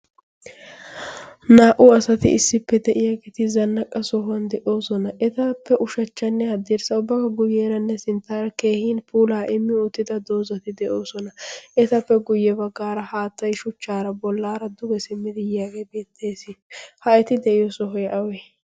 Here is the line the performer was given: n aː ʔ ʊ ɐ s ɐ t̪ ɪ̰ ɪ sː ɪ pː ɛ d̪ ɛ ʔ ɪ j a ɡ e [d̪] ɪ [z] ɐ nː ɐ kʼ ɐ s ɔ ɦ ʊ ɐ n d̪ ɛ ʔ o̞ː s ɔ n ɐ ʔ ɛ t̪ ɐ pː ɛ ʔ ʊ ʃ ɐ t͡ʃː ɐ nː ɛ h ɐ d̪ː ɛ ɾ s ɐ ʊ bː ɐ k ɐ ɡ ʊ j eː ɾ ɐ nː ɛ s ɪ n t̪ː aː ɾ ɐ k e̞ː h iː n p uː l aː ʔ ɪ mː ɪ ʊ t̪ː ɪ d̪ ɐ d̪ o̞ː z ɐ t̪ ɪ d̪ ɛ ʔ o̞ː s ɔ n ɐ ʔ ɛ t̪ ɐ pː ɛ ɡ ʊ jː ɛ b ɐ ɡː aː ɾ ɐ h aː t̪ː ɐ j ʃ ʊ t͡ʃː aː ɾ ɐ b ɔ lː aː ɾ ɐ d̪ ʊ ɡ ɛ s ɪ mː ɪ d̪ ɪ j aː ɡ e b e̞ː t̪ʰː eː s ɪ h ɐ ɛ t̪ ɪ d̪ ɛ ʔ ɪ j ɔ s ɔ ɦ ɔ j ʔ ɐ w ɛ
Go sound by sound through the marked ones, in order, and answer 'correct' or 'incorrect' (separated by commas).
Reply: incorrect, correct